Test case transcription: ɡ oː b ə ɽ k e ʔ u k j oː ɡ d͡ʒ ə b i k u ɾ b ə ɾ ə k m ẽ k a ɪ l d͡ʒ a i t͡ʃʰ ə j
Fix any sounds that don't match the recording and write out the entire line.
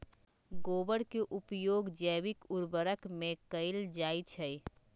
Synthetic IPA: ɡ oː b ə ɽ k e ʔ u p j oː ɡ d͡ʒ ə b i k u ɾ b ə ɾ ə k m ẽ k ə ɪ l d͡ʒ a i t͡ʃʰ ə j